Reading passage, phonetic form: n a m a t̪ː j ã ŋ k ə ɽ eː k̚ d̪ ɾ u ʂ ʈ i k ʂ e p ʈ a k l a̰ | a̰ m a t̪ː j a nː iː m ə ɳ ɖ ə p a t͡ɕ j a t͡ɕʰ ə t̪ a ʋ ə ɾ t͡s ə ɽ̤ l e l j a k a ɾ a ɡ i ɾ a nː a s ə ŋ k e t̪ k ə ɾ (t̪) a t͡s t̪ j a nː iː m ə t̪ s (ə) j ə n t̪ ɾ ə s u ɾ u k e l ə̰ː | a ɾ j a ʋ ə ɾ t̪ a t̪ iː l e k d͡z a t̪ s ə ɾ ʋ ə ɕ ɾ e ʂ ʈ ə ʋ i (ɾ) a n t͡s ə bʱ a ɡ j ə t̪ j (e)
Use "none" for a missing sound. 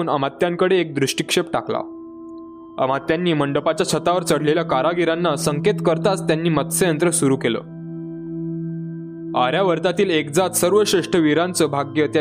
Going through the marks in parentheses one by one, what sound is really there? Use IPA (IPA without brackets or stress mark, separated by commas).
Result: t̪, ə, ɾ, a